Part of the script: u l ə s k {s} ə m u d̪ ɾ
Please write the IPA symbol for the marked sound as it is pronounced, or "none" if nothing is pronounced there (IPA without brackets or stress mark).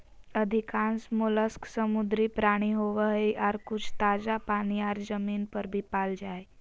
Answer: s